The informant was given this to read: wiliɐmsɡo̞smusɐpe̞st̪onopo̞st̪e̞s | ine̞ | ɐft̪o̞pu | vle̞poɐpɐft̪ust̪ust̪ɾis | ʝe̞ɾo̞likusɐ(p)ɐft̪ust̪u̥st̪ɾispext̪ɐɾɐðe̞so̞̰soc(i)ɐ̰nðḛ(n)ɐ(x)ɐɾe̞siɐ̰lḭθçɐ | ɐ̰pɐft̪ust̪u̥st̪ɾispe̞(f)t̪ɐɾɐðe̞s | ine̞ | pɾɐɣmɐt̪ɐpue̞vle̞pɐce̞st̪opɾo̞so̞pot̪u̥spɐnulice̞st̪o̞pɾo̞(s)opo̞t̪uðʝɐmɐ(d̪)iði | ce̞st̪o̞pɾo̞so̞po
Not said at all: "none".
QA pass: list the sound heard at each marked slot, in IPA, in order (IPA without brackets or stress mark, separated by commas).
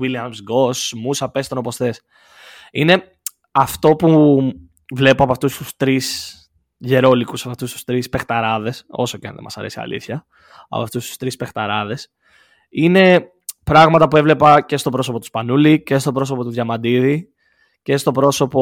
p, e, m, s, x, s, d̪